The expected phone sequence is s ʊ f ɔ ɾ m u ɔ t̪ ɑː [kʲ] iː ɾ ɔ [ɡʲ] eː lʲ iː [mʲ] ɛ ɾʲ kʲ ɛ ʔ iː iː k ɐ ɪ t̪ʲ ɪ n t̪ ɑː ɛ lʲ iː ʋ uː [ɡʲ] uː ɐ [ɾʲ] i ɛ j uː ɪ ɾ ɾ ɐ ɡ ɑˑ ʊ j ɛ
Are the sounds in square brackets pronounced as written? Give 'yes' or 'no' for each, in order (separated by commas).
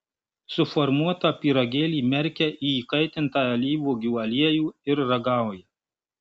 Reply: no, yes, yes, yes, no